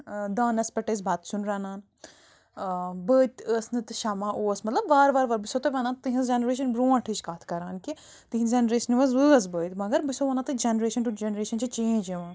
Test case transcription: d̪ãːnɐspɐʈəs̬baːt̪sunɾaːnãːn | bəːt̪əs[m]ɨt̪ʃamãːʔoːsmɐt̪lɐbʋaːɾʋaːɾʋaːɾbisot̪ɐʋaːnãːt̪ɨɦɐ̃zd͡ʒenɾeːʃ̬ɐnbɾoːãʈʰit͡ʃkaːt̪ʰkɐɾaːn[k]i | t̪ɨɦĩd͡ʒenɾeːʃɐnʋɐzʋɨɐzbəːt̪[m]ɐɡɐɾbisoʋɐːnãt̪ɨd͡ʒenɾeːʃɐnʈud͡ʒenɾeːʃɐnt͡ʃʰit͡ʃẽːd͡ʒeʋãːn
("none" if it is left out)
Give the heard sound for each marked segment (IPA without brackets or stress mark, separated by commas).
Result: n, k, m